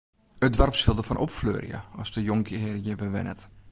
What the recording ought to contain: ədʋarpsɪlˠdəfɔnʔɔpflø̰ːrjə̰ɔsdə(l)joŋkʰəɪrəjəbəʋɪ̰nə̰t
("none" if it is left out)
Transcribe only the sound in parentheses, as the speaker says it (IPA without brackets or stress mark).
none